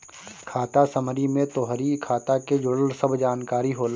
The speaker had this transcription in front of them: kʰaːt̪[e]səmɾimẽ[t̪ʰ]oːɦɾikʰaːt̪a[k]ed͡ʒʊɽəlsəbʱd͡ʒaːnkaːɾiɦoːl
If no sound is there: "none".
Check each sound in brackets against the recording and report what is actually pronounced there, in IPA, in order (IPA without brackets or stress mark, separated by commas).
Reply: a, t̪, k